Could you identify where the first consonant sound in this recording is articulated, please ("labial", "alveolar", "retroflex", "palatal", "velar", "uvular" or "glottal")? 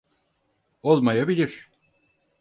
alveolar